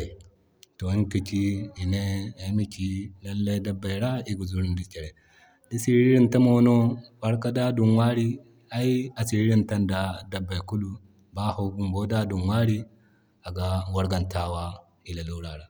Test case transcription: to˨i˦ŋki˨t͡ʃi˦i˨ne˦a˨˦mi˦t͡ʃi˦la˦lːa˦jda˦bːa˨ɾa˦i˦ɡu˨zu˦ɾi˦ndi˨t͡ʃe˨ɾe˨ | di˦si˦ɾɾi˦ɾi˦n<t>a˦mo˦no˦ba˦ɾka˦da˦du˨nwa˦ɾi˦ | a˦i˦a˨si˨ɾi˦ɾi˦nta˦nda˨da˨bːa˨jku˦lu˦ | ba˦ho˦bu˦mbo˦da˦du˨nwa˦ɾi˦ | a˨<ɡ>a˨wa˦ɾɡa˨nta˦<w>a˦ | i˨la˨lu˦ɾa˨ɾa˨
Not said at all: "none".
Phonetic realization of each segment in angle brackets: t, ɡ, w

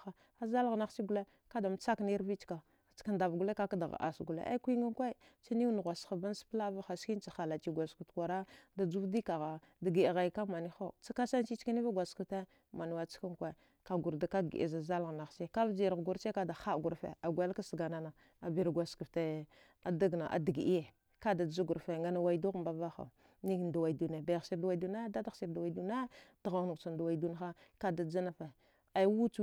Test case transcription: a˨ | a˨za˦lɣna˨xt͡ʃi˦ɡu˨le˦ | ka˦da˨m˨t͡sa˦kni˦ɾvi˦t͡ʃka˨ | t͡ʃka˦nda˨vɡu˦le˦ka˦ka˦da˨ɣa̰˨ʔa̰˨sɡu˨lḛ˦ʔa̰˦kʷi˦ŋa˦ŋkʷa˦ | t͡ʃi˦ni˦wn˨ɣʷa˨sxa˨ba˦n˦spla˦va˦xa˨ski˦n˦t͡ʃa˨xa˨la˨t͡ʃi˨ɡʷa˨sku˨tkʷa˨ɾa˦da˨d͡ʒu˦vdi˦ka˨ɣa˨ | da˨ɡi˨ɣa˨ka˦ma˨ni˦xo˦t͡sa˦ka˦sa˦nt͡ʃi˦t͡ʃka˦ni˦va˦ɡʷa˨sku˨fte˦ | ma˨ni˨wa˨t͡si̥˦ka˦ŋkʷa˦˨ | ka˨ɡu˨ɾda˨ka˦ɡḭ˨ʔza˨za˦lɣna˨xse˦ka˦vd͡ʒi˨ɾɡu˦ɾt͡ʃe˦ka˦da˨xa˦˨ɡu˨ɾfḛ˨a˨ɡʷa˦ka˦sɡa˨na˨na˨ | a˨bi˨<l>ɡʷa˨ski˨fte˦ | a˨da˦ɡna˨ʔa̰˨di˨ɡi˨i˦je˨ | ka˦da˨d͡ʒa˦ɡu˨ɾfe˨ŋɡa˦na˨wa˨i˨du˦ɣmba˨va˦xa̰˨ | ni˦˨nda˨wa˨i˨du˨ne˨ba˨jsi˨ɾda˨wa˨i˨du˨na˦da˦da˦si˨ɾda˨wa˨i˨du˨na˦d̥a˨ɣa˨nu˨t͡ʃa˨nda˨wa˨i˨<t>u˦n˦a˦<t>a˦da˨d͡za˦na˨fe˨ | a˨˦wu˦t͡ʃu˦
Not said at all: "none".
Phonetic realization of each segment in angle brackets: ɾ, d, k

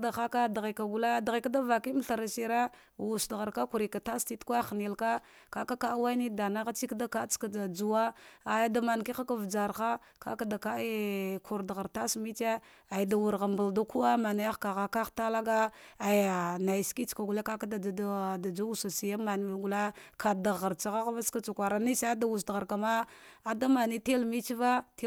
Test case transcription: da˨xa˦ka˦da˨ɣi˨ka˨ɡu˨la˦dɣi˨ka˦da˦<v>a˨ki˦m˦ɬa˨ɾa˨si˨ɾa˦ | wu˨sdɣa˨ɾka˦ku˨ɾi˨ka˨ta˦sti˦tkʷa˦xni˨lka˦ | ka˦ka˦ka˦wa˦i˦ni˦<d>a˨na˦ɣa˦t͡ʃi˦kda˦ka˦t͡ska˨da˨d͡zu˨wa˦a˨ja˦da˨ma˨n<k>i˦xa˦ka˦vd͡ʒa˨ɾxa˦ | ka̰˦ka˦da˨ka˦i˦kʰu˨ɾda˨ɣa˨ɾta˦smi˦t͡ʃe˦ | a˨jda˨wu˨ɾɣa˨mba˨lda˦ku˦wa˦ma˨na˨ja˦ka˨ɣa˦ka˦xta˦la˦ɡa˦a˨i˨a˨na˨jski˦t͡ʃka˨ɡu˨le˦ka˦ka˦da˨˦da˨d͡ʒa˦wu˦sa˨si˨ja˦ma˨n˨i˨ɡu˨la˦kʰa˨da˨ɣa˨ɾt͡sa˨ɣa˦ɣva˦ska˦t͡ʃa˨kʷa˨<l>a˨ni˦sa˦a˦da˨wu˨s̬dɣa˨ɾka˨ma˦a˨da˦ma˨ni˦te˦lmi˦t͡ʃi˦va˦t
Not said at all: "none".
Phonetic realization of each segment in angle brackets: v, d, k, ɾ

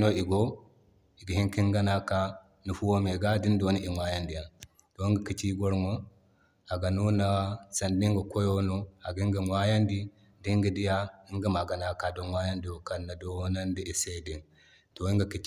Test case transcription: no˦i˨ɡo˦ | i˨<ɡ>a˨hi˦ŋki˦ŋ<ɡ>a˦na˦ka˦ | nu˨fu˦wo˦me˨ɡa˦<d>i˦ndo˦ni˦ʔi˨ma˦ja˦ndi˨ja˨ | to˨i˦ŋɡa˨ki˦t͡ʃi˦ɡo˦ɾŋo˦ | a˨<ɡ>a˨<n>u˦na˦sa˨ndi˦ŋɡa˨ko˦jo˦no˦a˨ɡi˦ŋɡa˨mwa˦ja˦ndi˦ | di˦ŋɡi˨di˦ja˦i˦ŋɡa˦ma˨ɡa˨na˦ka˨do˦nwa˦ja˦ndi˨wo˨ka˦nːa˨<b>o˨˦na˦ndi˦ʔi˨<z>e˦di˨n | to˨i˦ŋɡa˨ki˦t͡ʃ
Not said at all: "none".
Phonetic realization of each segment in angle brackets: ɡ, ɡ, d, ɡ, n, d, s

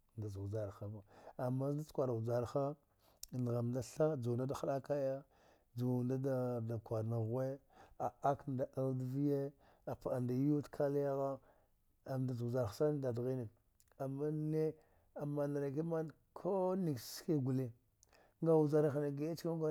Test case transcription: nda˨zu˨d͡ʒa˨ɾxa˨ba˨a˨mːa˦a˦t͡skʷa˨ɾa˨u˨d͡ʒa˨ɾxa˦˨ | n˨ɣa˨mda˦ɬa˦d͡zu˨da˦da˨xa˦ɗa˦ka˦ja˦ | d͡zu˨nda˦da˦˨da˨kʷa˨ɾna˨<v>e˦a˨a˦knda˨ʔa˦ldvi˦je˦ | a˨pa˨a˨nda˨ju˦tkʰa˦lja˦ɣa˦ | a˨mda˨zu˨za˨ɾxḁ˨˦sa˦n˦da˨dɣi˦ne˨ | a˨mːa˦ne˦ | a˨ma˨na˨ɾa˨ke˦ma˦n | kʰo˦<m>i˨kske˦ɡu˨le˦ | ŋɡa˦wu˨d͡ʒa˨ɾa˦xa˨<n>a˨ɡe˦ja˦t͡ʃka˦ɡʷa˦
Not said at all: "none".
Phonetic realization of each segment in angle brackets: ɣ, n, n

